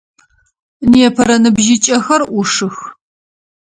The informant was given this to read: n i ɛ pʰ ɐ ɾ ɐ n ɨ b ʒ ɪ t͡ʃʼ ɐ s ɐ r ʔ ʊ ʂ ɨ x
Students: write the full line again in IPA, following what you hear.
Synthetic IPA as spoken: n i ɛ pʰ ɐ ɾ ɐ n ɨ b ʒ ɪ t͡ʃʼ ɐ x ɐ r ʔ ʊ ʂ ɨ x